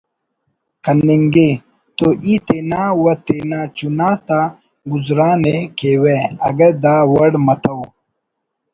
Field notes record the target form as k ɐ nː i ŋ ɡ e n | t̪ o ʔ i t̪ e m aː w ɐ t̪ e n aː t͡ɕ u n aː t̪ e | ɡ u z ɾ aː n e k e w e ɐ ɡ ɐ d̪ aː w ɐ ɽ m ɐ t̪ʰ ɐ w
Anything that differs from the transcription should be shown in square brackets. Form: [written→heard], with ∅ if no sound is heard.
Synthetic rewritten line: k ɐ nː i ŋ ɡ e [n→∅] | t̪ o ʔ i t̪ e [m→n] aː w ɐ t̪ e n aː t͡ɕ u n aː t̪ [e→a] | ɡ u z ɾ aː n e k e w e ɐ ɡ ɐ d̪ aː w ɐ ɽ m ɐ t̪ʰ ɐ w

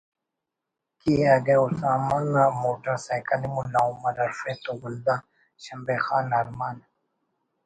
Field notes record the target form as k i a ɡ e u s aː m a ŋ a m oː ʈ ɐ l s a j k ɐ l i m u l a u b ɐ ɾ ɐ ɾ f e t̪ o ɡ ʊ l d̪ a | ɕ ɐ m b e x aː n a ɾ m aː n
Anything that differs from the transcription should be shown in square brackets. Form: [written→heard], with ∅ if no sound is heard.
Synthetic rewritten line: k i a ɡ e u s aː m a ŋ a m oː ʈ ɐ [l→ɾ] s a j k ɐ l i m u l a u [b→m] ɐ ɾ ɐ ɾ f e t̪ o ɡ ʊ l d̪ a | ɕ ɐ m b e x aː n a ɾ m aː n

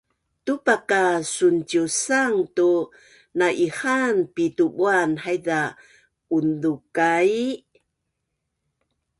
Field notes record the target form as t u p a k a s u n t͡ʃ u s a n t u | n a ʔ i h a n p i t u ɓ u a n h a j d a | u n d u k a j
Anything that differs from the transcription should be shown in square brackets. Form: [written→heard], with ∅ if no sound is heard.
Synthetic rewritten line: t u p a k a s u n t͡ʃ u s a [n→ŋ] t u | n a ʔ i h a n p i t u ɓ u a n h a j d a | u n d u k a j

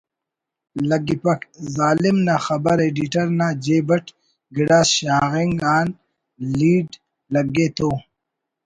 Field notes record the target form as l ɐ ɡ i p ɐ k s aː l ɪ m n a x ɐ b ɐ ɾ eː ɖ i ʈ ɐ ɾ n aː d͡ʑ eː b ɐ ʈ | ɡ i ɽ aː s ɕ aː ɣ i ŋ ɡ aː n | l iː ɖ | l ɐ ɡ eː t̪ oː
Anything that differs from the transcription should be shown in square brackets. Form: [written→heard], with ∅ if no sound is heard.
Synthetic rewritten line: l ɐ ɡ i p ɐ k [s→z] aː l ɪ m n a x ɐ b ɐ ɾ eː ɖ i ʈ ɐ ɾ n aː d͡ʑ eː b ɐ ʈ | ɡ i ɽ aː s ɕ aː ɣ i ŋ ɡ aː n | l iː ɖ | l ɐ ɡ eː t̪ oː

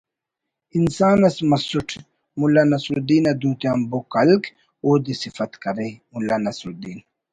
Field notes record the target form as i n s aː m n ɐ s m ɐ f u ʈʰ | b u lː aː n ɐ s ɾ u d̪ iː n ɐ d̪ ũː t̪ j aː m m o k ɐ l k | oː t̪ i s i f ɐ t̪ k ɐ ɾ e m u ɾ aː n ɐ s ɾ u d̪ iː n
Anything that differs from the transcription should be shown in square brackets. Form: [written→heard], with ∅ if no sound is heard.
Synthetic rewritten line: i n s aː [m→∅] n ɐ s m ɐ [f→s] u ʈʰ | [b→m] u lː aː n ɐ s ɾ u d̪ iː n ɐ d̪ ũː t̪ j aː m [m→b] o k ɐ l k | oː [t̪→d̪] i s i f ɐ t̪ k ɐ ɾ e m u [ɾ→l] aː n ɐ s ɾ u d̪ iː n

